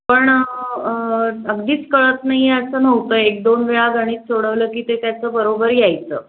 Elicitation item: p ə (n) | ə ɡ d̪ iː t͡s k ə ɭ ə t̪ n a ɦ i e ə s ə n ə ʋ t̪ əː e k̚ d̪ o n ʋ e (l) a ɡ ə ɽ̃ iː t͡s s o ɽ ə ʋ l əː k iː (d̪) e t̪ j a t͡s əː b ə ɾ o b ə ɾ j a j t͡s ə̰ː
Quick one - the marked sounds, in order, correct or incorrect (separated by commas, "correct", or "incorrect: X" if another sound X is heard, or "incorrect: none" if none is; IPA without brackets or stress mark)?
incorrect: ɳ, incorrect: ɭ, incorrect: t̪